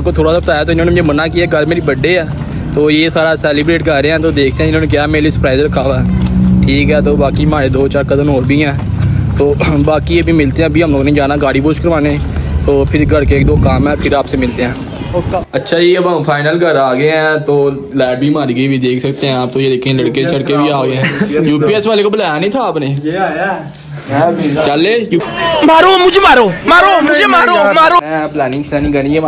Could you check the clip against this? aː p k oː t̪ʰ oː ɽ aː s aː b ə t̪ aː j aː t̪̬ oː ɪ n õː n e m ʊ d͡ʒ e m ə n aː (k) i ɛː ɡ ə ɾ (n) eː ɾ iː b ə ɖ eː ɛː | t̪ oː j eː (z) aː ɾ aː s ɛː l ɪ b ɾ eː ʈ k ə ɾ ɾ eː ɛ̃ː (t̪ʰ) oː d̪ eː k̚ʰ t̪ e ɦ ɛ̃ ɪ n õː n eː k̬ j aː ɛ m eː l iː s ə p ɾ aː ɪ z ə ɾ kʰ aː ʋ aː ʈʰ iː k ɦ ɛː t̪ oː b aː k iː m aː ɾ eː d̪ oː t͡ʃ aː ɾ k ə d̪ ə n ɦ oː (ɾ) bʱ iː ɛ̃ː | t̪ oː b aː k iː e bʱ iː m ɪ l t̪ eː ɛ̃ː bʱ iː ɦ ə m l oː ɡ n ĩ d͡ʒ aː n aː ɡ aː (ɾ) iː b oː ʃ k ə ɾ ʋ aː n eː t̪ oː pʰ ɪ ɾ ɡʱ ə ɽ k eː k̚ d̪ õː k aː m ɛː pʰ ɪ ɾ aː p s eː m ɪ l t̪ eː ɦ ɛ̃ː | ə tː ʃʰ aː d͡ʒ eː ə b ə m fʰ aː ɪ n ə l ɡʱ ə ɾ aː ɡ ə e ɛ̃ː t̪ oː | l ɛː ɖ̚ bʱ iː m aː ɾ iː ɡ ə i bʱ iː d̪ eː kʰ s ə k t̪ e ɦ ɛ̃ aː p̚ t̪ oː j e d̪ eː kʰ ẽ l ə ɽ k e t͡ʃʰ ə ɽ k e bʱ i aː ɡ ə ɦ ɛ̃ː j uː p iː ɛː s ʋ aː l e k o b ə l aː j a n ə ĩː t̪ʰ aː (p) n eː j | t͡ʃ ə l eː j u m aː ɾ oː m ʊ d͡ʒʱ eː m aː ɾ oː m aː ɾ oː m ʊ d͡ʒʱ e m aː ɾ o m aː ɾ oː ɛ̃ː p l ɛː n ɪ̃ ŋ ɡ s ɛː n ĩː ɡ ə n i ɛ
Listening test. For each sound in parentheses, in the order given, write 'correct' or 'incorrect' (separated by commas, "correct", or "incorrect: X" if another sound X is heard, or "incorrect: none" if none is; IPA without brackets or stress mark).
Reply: correct, incorrect: m, incorrect: s, incorrect: t̪, correct, incorrect: ɽ, correct